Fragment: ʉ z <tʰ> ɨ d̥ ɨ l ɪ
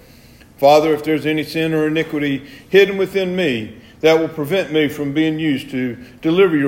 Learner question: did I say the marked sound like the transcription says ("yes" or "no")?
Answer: yes